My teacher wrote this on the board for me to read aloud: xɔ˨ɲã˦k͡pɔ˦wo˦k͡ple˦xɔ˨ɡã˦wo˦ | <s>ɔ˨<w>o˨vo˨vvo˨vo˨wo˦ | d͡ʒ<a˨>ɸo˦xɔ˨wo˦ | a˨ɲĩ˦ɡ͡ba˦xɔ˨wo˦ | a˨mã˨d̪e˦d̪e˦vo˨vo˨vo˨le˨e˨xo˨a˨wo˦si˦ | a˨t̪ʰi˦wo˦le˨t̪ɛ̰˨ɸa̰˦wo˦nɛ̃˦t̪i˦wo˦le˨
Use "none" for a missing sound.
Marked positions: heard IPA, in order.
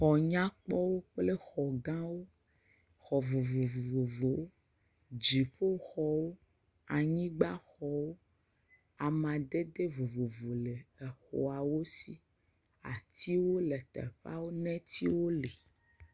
x, v, i˨

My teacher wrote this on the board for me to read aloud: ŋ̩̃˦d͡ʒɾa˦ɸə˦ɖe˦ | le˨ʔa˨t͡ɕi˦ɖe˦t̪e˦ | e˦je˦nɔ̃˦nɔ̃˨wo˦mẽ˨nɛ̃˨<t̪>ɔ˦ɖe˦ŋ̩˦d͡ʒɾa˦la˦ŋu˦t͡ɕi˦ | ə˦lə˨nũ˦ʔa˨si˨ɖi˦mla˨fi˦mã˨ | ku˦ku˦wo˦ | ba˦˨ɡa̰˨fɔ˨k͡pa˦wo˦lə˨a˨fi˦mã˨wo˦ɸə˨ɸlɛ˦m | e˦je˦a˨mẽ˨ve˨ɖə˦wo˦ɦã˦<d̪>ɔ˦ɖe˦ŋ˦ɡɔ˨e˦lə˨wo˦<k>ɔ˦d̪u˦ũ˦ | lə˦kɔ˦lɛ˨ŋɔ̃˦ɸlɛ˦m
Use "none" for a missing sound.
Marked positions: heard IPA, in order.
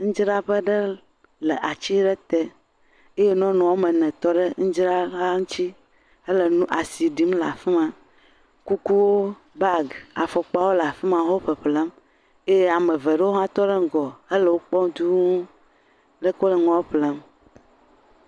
t̪, t̪, k͡p

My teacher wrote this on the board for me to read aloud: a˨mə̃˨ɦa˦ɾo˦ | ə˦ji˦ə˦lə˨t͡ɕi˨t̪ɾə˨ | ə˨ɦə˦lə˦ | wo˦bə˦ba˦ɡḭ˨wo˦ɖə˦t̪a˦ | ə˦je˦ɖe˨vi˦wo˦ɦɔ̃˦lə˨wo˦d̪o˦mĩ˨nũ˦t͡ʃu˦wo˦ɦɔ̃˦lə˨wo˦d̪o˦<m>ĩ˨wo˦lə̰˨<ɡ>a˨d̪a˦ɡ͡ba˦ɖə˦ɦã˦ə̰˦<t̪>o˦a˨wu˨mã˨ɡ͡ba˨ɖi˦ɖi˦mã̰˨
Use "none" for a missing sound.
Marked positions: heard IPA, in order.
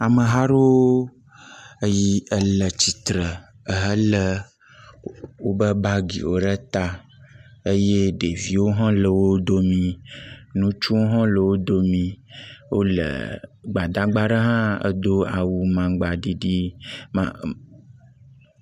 m, ɡ͡b, d̪

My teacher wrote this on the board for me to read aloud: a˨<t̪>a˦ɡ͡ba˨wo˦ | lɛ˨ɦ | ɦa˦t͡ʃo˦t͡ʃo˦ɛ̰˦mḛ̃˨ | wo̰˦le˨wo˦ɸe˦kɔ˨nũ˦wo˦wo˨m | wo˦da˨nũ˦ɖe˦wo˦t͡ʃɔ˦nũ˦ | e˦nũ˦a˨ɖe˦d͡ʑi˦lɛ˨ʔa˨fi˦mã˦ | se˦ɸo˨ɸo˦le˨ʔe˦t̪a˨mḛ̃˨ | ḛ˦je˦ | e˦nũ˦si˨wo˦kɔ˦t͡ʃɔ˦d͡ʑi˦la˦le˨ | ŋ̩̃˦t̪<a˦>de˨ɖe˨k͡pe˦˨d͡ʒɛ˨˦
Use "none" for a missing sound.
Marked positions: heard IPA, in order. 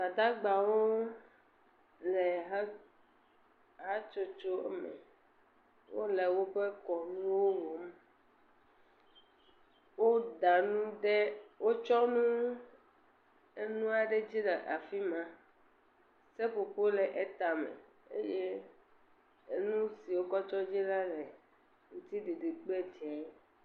d̪, i˦

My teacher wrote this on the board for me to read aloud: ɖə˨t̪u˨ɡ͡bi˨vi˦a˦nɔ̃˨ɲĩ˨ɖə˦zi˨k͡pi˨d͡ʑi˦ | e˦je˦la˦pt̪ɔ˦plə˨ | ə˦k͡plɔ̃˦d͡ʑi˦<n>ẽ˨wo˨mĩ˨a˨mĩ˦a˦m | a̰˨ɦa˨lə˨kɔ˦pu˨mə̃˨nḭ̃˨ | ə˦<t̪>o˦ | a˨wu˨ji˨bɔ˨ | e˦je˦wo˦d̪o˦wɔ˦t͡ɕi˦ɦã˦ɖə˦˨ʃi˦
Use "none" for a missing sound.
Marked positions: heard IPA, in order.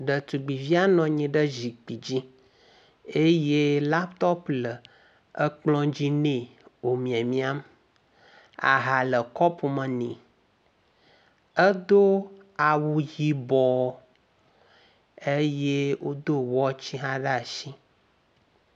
n, d̪

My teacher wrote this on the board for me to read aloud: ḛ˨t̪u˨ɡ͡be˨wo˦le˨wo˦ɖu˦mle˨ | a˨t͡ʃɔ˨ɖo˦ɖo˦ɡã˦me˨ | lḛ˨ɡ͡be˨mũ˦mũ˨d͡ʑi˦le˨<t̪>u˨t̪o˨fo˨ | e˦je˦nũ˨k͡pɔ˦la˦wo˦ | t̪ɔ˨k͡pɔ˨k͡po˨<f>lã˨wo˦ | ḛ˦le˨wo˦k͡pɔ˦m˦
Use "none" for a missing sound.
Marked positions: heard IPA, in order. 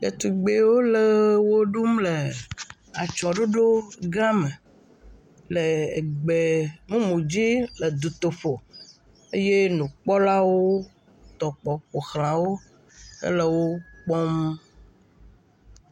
d̪, x

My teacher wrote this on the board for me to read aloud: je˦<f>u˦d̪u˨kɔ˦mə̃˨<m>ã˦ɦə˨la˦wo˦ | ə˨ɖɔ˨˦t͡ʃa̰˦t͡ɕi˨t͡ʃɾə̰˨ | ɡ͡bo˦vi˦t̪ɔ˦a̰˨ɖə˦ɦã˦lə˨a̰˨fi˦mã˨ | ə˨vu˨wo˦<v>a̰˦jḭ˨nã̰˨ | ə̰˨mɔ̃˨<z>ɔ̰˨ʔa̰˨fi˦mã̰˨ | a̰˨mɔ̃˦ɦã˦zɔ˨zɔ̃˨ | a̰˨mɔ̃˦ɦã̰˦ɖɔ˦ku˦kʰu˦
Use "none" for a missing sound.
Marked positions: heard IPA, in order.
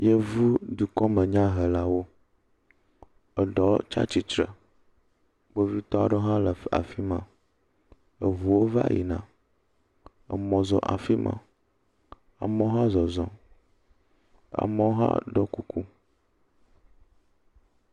v, ɲ, v, z

